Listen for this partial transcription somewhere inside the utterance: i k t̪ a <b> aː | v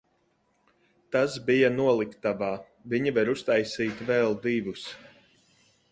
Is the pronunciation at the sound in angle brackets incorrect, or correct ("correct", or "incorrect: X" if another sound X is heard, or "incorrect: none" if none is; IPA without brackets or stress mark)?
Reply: incorrect: v